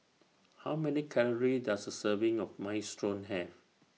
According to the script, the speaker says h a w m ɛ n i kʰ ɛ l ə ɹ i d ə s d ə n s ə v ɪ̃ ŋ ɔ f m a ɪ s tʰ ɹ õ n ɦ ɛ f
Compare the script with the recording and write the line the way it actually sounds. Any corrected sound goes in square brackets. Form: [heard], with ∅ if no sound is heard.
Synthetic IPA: h a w m ɛ n i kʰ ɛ l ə ɹ i d [a] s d ə [∅] s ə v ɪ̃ ŋ ɔ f m a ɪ s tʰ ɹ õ n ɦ ɛ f